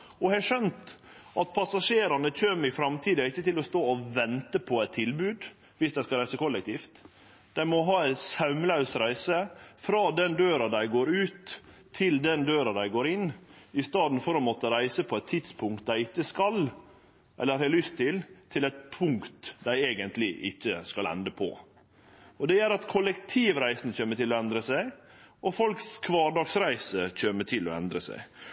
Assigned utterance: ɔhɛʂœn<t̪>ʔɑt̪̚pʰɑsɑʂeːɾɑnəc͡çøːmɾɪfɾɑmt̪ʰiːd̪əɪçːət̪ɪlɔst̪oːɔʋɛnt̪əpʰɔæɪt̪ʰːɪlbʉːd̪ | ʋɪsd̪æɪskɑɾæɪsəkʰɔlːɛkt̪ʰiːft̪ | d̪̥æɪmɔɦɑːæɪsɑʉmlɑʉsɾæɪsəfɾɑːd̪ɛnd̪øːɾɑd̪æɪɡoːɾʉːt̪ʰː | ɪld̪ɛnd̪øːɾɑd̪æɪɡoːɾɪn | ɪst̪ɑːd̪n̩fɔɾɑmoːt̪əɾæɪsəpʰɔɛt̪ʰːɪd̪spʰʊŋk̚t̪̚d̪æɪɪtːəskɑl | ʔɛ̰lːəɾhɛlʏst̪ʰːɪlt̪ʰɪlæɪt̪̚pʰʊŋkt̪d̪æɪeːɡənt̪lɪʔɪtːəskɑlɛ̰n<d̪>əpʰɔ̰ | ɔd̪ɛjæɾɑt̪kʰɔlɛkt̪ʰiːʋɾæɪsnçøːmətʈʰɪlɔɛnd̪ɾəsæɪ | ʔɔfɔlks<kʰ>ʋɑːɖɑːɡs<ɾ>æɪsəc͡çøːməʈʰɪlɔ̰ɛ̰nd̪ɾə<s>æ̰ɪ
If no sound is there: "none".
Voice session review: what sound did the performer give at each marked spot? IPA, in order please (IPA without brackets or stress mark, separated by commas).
t̪, d̪, kʰ, ɾ, s